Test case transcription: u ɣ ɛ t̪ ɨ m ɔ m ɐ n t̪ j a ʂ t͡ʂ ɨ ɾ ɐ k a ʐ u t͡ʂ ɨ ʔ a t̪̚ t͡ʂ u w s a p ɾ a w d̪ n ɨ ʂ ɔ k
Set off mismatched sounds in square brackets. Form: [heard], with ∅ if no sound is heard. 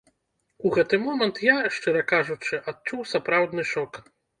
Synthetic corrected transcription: u ɣ ɛ t̪ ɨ m ɔ m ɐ n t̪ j a ʂ t͡ʂ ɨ ɾ ɐ k a ʐ u t͡ʂ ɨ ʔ a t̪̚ t͡ʂ u w s a p ɾ a w d̪ n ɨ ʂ ɔ k